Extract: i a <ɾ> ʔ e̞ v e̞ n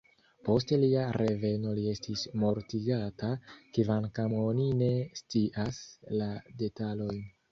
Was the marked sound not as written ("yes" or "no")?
no